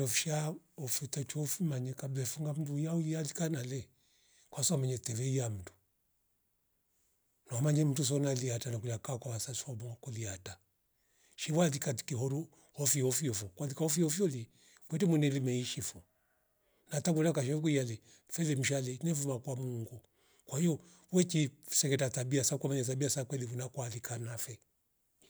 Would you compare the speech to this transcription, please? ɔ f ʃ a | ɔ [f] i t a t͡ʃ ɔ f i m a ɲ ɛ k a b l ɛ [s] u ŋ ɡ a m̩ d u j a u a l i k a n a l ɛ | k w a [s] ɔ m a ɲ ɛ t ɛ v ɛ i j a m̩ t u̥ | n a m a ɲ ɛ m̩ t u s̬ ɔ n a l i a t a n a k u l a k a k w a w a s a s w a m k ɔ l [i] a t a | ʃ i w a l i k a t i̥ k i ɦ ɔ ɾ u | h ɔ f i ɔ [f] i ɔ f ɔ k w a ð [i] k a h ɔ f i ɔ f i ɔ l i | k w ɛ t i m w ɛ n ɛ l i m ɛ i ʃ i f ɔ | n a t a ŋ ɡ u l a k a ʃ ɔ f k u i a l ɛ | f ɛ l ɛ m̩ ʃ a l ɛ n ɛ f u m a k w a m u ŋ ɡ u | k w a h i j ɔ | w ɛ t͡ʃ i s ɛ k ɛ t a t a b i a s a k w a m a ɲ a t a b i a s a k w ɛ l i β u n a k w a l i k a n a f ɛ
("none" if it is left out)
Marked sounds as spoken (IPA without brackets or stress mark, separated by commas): f, f, s, i, f, i